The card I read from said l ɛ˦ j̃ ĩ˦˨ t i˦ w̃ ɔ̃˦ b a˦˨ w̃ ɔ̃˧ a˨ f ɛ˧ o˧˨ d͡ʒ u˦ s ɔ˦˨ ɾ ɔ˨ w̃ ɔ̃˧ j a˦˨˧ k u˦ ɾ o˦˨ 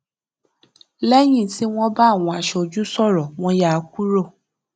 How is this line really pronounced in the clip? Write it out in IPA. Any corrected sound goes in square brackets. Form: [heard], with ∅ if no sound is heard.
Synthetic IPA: l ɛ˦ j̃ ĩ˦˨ t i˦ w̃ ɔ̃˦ b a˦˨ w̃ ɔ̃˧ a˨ [ʃ] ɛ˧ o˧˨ d͡ʒ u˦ s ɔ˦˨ ɾ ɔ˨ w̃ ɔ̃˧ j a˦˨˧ k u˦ ɾ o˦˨